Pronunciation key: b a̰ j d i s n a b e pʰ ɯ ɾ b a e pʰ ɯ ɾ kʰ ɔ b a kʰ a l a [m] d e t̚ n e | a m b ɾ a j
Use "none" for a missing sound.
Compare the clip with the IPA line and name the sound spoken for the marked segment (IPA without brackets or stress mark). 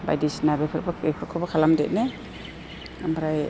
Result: m